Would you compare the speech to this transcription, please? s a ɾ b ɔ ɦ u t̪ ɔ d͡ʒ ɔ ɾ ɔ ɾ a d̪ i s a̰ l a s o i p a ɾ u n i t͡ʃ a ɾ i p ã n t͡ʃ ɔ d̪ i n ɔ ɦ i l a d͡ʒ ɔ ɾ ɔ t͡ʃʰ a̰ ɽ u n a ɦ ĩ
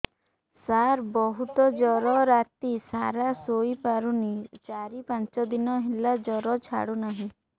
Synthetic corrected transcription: s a ɾ b ɔ ɦ u t̪ ɔ d͡ʒ ɔ ɾ ɔ ɾ a t̪ i s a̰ ɾ a s o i p a ɾ u n i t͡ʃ a ɾ i p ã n t͡ʃ ɔ d̪ i n ɔ ɦ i l a d͡ʒ ɔ ɾ ɔ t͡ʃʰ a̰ ɽ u n a ɦ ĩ

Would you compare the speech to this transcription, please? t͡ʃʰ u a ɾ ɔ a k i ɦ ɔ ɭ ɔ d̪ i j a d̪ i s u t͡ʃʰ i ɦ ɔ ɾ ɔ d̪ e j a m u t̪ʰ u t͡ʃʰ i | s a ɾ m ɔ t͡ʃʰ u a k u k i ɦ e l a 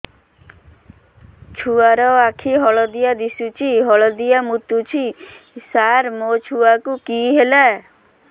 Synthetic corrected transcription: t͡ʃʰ u a ɾ ɔ a kʰ i ɦ ɔ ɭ ɔ d̪ i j a d̪ i s u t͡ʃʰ i ɦ ɔ ɭ ɔ d̪ i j a m u t̪ u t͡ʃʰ i | s a ɾ m o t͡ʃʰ u a k u k i ɦ e l a

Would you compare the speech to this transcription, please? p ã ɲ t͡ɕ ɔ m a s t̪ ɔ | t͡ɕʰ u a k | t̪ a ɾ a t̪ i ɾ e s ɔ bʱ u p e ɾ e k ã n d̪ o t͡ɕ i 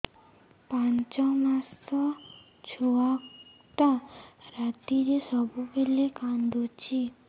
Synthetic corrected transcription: p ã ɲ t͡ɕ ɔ m a s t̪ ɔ | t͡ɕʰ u a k | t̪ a ɾ a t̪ i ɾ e s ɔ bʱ u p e l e k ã n d̪ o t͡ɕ i

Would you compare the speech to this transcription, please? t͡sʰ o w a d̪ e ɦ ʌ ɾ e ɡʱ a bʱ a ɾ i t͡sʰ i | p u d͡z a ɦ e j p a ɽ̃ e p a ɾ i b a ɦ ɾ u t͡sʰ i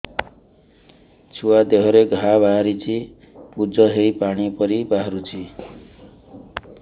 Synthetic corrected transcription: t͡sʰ u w a d̪ e ɦ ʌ ɾ e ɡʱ a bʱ a ɾ i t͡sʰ i | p u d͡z ʌ ɦ e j p a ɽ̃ i p ʌ ɾ i b a ɦ ɾ u t͡sʰ i

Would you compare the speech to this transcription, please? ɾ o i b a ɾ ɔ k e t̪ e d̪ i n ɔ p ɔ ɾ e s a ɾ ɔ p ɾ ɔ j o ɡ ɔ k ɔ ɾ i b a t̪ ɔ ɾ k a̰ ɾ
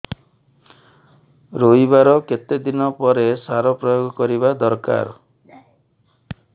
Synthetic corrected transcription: ɾ o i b a ɾ ɔ k e t̪ e d̪ i n ɔ p ɔ ɾ e s a ɾ ɔ p ɾ ɔ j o ɡ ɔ k ɔ ɾ i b a d̪ ɔ ɾ k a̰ ɾ

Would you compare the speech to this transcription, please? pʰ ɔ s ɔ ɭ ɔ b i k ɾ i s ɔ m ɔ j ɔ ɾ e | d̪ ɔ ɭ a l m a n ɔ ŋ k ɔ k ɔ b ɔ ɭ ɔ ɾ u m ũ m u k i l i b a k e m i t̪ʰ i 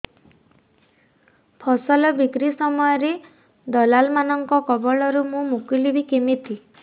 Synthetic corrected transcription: pʰ ɔ s ɔ l ɔ b i k ɾ i s ɔ m ɔ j ɔ ɾ e | d̪ ɔ l a l m a n ɔ ŋ k ɔ k ɔ b ɔ ɭ ɔ ɾ u m ũ m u k i l i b i k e m i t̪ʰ i

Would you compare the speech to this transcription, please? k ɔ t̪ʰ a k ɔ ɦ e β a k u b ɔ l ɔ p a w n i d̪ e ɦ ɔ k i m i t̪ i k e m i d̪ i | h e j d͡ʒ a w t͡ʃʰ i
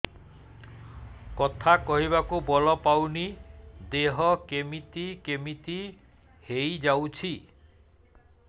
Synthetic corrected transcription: k ɔ t̪ʰ a k ɔ ɦ i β a k u b ɔ l ɔ p a w n i d̪ e ɦ ɔ k e m i t̪ i k e m i t̪ i | h e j d͡ʒ a w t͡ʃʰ i

